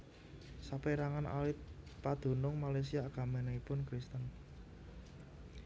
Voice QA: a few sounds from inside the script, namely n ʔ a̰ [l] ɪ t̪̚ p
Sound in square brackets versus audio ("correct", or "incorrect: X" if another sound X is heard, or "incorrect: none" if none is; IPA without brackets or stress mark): correct